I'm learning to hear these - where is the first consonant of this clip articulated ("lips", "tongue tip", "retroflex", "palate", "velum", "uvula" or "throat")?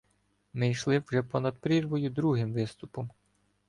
lips